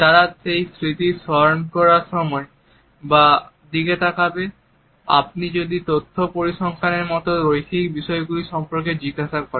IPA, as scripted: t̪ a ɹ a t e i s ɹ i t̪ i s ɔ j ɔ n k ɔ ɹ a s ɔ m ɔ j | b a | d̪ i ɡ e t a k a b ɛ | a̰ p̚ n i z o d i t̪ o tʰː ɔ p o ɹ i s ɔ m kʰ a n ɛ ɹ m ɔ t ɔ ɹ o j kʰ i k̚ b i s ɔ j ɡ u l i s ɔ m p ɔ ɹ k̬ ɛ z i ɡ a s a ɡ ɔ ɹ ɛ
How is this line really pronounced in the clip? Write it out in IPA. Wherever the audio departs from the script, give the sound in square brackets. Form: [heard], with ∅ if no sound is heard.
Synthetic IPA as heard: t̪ a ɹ a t e [j] s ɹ i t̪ i s ɔ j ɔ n k ɔ ɹ a s ɔ m ɔ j | b a | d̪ i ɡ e t a k a b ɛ | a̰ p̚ n i z o d i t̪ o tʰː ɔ p o ɹ i s ɔ [ŋ] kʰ a n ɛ ɹ m ɔ t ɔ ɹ o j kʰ i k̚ b i s ɔ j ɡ u l i s ɔ m p ɔ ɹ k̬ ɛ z i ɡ a s a [k] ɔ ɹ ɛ